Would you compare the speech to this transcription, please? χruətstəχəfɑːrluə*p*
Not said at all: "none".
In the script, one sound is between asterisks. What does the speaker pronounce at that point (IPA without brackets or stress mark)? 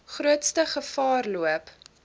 p